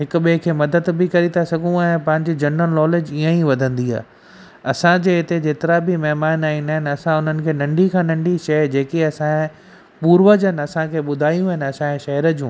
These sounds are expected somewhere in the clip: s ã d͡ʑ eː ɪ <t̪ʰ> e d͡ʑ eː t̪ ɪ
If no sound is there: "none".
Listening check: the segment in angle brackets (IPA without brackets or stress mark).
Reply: t̪